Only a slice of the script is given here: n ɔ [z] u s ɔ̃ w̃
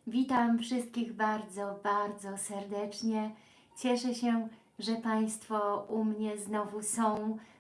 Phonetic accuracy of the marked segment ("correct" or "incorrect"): incorrect